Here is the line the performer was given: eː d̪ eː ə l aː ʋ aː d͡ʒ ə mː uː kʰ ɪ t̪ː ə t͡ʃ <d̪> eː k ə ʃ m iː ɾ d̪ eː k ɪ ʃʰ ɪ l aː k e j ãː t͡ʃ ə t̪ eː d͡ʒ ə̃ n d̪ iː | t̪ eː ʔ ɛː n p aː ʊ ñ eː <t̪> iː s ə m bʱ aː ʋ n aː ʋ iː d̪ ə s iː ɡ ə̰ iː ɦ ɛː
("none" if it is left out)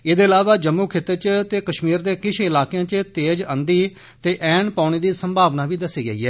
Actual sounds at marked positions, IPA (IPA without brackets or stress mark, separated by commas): t̪, d̪